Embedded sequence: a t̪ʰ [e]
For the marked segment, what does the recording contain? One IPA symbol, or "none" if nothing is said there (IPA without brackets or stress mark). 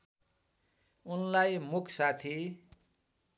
i